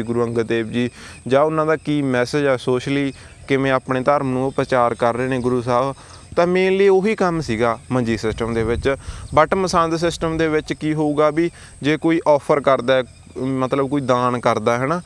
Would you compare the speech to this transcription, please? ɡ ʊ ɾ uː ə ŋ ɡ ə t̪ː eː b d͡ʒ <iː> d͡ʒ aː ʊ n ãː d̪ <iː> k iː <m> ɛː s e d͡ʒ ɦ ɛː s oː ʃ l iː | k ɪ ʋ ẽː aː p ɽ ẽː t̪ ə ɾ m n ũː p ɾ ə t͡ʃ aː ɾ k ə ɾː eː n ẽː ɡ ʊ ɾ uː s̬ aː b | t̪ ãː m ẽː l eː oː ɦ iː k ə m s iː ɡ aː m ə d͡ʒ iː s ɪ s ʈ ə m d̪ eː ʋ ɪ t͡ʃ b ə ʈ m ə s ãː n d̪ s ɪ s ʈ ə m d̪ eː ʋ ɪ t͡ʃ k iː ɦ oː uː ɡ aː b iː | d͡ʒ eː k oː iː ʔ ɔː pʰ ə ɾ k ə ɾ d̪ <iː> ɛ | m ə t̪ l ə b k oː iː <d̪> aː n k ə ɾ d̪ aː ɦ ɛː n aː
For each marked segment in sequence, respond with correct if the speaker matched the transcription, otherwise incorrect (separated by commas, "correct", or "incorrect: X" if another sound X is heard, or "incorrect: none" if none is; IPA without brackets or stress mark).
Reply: correct, incorrect: aː, correct, incorrect: aː, correct